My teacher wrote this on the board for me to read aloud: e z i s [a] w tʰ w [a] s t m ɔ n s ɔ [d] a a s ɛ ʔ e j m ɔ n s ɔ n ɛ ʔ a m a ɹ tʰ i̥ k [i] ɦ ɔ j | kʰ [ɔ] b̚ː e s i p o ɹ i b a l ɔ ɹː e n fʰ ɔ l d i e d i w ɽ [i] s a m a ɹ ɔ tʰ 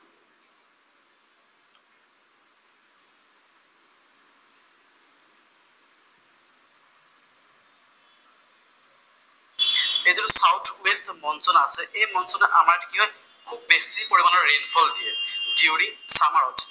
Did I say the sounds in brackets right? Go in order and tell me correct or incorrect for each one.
correct, incorrect: e, incorrect: n, correct, incorrect: u, correct

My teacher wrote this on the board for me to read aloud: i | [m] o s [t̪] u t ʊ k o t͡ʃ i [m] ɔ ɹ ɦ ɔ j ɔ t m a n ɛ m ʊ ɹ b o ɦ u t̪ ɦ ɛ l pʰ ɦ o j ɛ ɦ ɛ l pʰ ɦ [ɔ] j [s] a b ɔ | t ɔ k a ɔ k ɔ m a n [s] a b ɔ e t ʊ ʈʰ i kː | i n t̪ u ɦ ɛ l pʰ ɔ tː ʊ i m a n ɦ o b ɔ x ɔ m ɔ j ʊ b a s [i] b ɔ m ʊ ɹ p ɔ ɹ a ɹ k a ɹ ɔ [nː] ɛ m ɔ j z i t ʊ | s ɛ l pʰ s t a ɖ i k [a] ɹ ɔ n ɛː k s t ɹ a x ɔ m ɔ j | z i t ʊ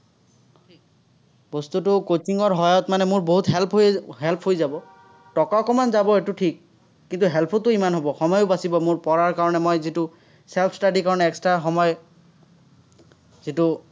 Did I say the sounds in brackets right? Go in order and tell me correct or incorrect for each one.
incorrect: b, correct, incorrect: ŋ, incorrect: o, incorrect: z, incorrect: z, correct, incorrect: n, correct

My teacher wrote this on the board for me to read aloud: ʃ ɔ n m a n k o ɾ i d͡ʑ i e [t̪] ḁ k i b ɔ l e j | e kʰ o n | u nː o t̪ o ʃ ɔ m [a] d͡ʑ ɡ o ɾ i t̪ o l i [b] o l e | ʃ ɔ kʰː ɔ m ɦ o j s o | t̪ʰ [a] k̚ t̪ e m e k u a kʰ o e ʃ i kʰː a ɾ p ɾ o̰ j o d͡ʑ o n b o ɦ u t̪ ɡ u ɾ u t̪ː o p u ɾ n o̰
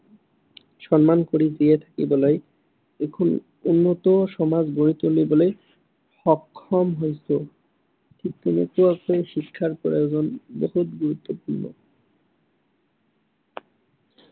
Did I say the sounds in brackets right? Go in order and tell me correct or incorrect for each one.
incorrect: t̪ʰ, correct, correct, incorrect: i

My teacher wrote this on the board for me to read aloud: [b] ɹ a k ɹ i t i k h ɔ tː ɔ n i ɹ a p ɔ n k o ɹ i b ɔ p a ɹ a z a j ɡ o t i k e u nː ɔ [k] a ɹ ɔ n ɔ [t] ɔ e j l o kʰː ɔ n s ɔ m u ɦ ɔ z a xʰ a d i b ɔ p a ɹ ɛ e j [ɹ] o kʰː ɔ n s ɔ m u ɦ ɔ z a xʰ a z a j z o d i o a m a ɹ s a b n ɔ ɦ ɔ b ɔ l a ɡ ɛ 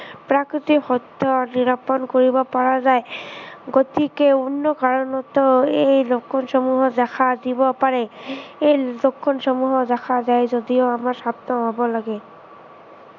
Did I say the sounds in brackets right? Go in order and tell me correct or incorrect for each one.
incorrect: p, correct, correct, incorrect: l

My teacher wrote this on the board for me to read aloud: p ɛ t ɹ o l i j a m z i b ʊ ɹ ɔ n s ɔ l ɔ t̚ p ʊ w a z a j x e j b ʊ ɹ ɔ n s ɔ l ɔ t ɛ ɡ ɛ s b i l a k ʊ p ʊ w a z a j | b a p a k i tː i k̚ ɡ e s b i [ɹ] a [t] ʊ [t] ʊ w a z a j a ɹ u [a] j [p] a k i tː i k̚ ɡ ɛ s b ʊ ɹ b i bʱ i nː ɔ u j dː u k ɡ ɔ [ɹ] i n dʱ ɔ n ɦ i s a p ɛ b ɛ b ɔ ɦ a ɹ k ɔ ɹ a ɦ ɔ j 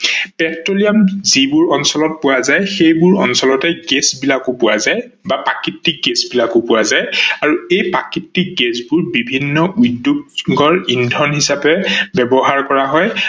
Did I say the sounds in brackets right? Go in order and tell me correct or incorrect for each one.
incorrect: l, incorrect: k, incorrect: p, incorrect: e, correct, correct

